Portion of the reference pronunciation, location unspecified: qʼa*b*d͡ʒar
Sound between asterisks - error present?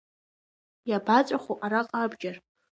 no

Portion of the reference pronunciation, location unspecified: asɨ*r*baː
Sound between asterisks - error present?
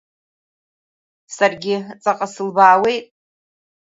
yes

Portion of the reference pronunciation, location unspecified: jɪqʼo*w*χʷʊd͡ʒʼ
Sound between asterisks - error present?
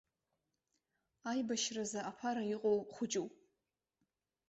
no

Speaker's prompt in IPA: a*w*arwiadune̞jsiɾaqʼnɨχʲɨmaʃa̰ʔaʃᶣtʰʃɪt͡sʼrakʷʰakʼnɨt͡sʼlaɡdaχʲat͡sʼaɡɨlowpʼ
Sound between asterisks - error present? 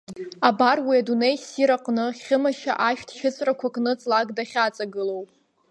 yes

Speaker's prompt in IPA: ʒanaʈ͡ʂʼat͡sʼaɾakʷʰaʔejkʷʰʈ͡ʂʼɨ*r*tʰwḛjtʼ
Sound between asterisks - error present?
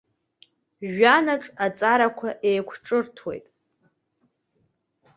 no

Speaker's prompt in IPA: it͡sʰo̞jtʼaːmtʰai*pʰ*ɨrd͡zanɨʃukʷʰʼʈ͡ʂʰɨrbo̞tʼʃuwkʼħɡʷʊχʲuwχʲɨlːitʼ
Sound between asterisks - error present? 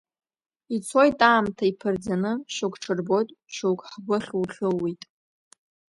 no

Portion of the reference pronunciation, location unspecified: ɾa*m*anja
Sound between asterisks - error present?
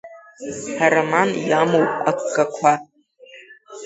no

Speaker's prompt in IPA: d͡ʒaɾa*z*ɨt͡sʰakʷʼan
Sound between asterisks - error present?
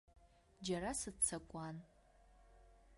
yes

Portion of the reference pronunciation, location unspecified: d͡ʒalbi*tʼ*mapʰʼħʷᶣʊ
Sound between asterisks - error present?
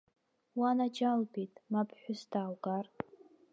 no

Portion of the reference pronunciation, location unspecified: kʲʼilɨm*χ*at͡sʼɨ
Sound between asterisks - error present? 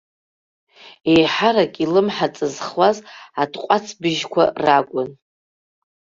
yes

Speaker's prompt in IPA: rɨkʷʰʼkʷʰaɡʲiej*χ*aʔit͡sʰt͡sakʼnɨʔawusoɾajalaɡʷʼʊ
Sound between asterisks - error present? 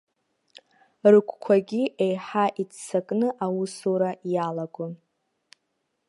yes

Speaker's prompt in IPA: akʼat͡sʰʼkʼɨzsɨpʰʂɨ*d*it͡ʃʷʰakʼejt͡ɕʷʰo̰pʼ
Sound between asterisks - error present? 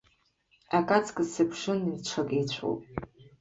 yes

